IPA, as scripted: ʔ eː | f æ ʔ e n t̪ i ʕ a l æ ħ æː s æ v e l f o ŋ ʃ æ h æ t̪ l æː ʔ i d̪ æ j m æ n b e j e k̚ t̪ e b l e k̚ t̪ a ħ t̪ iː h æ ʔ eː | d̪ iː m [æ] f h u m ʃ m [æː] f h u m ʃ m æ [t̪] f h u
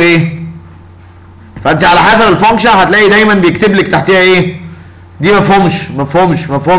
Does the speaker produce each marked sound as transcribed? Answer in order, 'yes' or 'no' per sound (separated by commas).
yes, no, no